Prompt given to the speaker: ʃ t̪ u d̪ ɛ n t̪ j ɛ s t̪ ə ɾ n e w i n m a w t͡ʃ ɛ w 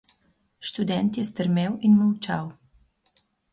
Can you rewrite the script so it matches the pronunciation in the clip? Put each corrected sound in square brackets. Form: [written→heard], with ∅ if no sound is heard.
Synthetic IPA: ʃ t̪ u d̪ ɛ n t̪ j ɛ s t̪ ə ɾ [n→m] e w i n m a w t͡ʃ [ɛ→a] w